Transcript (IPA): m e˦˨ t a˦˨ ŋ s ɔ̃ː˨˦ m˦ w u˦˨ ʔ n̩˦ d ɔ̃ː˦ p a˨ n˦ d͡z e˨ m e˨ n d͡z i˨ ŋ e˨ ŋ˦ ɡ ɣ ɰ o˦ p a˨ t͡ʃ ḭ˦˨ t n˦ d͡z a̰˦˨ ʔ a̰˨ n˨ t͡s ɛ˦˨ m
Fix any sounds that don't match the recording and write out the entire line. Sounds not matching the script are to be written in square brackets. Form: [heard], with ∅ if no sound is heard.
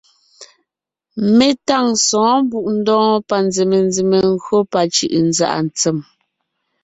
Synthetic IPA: m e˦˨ t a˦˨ ŋ s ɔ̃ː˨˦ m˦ [b] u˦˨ ʔ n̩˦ d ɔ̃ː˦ p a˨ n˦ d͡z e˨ m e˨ n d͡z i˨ [m] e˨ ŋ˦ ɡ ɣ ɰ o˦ p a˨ t͡ʃ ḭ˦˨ [ʔ] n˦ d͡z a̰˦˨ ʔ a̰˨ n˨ t͡s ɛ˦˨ m